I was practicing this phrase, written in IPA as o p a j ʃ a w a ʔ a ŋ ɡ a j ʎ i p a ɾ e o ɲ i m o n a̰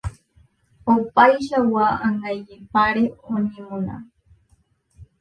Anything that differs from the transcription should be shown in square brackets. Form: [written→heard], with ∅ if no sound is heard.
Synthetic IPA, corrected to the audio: o p a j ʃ a w a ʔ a ŋ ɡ a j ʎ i p a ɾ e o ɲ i m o n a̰